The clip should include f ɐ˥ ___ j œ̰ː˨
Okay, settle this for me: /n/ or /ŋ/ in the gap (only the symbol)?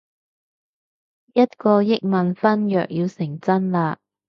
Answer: n